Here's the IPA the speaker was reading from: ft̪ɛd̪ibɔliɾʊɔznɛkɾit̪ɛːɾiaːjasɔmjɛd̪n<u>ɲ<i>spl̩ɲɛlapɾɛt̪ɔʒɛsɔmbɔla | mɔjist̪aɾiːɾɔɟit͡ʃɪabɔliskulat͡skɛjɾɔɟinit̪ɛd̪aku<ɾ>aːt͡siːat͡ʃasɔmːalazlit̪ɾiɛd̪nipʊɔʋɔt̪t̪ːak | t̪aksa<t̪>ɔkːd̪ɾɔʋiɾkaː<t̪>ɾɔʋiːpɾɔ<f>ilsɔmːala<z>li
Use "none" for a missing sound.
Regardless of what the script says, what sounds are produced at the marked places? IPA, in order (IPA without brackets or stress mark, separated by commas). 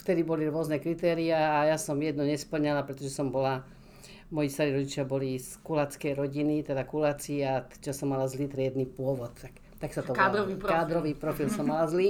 ɔ, ɛ, l, t̪, d̪, f, z